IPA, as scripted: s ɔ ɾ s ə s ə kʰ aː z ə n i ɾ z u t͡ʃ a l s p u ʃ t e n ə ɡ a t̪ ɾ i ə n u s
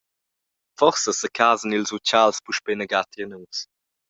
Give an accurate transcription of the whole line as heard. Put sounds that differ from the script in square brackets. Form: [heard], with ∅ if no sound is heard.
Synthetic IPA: [f] ɔ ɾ s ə s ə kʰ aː z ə n i [l] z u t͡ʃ a l s p u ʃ [p] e n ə ɡ a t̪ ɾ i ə n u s